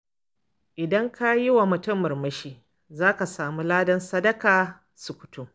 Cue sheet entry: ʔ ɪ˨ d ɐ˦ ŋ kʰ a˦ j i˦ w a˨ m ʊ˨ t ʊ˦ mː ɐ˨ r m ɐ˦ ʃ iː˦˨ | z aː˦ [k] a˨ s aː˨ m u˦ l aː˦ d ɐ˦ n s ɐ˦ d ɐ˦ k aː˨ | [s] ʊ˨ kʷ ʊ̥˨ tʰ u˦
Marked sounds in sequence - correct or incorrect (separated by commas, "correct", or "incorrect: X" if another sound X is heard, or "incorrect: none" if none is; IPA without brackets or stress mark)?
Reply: correct, correct